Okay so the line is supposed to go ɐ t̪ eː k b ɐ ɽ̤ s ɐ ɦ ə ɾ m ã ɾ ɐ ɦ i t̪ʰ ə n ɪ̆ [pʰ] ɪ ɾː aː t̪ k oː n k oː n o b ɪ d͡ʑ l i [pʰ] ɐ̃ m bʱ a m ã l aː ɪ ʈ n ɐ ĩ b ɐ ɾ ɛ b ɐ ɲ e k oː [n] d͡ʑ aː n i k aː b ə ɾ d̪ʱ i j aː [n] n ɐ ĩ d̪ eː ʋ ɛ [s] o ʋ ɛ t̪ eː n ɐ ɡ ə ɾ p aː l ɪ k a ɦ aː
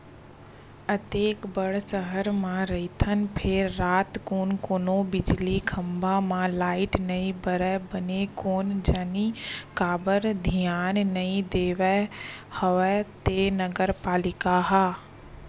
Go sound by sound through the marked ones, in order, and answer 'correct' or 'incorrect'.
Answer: correct, incorrect: kʰ, correct, correct, incorrect: h

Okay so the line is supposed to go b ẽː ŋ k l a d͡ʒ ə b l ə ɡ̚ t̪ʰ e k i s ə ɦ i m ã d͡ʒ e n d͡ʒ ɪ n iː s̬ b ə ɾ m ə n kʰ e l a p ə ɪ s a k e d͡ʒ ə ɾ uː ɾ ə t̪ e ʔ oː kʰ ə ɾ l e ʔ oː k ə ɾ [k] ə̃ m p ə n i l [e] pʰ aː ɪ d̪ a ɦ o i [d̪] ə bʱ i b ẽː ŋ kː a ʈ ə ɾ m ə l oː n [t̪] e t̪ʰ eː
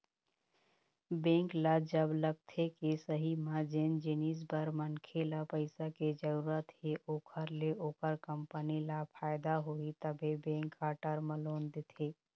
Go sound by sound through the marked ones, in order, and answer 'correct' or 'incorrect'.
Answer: correct, incorrect: a, incorrect: t̪, incorrect: d̪

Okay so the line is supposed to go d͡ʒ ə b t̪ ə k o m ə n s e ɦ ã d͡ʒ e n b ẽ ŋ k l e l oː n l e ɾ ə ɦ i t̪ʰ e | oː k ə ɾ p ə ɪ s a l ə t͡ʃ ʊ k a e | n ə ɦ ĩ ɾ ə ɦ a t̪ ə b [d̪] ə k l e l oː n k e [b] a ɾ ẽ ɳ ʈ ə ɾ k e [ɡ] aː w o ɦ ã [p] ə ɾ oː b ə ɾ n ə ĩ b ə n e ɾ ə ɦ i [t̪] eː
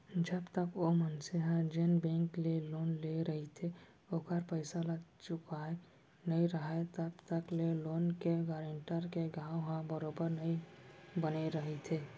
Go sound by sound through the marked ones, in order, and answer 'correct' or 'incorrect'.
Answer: incorrect: t̪, incorrect: ɡ, correct, incorrect: b, incorrect: t̪ʰ

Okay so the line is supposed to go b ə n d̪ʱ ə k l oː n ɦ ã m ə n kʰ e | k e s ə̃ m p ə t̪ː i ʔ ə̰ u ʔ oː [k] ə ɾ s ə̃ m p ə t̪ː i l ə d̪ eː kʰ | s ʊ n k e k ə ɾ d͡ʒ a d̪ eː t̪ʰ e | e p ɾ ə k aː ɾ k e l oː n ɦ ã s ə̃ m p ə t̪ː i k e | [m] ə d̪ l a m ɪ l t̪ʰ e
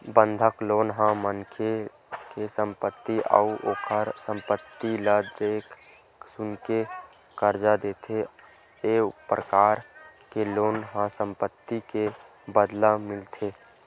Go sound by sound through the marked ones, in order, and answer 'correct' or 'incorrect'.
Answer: incorrect: kʰ, incorrect: b

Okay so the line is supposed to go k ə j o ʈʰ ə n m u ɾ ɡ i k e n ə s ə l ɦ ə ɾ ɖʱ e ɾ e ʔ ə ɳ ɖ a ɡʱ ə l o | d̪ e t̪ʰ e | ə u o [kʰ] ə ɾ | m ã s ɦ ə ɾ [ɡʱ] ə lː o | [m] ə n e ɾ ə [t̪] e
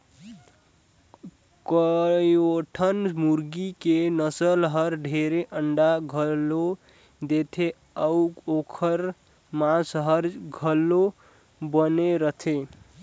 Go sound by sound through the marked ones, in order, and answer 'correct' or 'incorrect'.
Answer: correct, correct, incorrect: b, incorrect: t̪ʰ

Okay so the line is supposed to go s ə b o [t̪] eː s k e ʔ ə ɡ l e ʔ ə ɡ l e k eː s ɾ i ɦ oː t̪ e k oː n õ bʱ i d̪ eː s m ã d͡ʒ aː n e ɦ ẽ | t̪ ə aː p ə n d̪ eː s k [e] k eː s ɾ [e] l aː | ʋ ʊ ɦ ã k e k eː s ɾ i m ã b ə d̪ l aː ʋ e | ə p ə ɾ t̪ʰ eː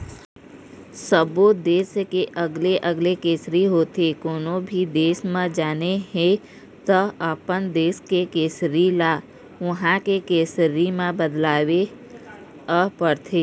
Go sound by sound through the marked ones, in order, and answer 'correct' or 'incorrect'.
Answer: incorrect: d̪, correct, incorrect: i

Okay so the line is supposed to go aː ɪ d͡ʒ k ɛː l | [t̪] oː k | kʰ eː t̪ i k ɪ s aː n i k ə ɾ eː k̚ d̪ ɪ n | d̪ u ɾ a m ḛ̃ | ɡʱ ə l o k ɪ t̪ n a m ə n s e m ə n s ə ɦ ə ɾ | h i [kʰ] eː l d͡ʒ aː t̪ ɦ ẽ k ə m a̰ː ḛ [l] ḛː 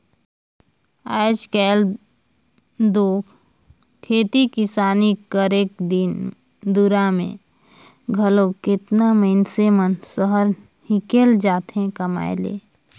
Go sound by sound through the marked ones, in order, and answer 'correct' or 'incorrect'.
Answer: incorrect: d̪, incorrect: k, correct

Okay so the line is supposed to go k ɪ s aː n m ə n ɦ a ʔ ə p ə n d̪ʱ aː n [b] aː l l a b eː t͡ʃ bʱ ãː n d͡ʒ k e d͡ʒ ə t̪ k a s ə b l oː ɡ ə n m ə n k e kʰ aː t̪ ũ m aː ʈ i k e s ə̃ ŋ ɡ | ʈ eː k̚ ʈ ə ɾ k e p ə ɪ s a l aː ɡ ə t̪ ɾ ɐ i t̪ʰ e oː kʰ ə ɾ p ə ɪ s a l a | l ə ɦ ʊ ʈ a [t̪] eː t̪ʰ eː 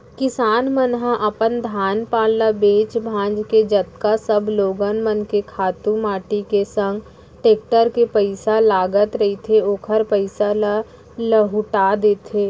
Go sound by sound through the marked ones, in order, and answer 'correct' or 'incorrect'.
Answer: incorrect: p, incorrect: d̪

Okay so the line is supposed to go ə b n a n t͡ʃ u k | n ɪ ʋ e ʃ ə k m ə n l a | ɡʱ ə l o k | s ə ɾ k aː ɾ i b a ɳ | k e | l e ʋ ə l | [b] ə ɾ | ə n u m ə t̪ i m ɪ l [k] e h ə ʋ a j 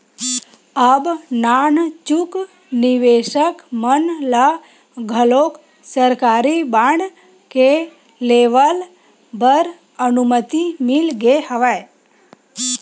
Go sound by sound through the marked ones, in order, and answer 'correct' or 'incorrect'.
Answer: correct, incorrect: ɡ

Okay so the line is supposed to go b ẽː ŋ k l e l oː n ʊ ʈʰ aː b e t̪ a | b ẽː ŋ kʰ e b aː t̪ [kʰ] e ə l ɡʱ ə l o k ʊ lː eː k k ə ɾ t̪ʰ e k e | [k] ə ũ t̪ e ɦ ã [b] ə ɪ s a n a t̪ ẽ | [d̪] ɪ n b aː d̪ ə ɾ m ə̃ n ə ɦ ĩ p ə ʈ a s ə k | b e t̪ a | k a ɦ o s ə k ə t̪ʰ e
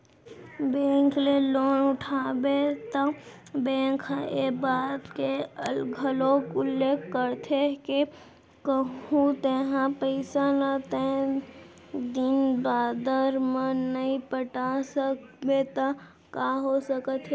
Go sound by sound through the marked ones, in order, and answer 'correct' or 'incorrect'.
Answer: incorrect: k, correct, incorrect: p, correct

